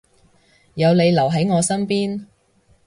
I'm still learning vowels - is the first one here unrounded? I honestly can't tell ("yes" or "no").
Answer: yes